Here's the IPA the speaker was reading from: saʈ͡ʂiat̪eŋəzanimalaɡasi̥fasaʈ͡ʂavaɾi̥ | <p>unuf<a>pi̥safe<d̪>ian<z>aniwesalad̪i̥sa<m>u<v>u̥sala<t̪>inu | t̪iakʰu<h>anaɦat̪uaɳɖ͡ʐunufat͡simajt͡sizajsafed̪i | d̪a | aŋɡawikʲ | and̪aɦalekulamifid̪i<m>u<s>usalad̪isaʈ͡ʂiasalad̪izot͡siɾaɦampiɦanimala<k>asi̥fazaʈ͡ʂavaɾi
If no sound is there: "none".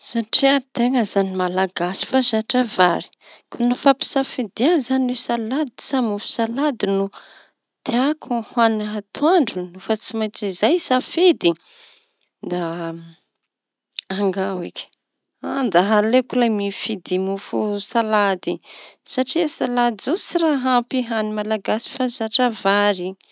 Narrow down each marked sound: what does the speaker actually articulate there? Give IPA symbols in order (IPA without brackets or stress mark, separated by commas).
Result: k, a, d̪, z, m, f, d̪, h, m, f, ɡ